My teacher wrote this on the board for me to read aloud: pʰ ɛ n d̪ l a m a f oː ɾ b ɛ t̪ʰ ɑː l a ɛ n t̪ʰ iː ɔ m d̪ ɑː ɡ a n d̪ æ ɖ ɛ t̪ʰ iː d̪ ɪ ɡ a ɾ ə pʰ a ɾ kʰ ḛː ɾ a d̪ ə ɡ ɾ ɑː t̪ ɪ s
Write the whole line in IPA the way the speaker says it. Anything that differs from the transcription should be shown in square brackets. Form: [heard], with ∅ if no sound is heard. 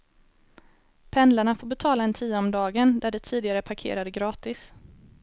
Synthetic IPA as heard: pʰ ɛ n d̪ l a [ɳ] a f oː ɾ b ɛ t̪ʰ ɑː l a ɛ n t̪ʰ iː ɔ m d̪ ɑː ɡ [ə] n d̪ æ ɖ ɛ t̪ʰ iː d̪ ɪ ɡ a ɾ ə pʰ a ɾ kʰ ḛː ɾ a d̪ ə ɡ ɾ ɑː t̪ ɪ s